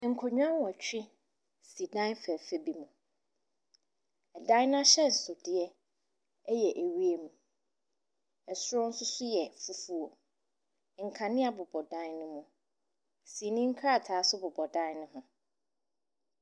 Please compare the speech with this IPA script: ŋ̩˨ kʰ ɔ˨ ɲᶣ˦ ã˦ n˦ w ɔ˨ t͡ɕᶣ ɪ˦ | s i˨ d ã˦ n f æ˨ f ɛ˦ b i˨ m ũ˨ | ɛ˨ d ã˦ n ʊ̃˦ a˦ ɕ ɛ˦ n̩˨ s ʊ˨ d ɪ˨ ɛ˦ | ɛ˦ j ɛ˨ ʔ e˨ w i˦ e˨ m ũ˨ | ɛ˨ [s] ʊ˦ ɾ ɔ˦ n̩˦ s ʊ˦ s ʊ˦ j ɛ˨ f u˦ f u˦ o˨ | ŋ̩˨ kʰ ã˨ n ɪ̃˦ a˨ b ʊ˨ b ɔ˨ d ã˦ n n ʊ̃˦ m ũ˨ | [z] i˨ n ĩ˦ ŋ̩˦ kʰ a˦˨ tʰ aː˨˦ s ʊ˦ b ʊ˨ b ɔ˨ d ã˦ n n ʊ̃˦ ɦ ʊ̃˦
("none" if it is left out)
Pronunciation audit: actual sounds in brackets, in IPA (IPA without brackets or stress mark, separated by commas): s, s